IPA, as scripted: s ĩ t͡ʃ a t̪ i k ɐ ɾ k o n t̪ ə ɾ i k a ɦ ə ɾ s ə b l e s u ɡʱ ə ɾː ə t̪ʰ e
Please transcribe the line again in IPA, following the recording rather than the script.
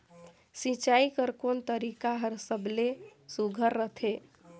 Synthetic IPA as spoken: s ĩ t͡ʃ a i k ə ɾ k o n t̪ ə ɾ i k a ɦ ə ɾ s ə b l e s u ɡʱ ə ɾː ə t̪ʰ e